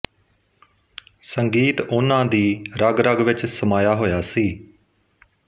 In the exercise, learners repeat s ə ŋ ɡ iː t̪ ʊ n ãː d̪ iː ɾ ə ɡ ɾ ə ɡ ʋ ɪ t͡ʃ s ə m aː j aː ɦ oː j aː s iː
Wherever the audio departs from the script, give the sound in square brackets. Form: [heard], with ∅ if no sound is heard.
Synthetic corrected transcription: s ə ŋ ɡ iː t̪ ʊ n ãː d̪ iː ɾ ə ɡ ɾ ə ɡ ʋ ɪ t͡ʃ s ə m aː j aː ɦ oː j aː s iː